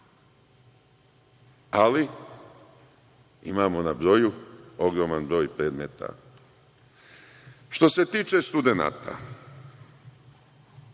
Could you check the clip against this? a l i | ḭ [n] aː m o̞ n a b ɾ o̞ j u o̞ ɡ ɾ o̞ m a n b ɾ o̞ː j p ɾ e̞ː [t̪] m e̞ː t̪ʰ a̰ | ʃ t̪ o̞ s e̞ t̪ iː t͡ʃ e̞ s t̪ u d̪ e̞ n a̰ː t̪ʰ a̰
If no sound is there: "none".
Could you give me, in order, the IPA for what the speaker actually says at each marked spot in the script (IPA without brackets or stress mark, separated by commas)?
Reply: m, d̪